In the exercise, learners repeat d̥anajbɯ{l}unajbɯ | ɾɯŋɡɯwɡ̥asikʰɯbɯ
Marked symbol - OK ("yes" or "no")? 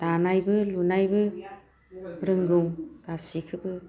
yes